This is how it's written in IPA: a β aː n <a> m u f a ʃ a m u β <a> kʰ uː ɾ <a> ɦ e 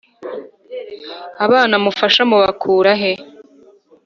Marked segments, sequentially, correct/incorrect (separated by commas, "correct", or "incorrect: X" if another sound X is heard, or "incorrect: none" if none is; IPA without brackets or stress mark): correct, correct, correct